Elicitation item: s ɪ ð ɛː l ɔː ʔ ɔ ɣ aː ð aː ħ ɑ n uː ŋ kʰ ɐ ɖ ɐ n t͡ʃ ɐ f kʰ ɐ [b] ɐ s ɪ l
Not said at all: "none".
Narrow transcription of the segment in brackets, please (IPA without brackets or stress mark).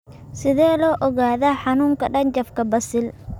b